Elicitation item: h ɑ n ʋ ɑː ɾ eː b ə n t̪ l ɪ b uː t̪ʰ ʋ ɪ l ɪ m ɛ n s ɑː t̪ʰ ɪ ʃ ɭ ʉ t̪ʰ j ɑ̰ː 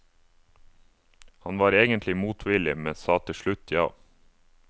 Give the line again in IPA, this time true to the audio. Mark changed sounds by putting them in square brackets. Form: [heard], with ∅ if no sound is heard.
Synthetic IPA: h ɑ n ʋ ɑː ɾ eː [ɡ] ə n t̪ l ɪ [m] uː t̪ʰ ʋ ɪ l ɪ m ɛ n s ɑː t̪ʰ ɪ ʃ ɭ ʉ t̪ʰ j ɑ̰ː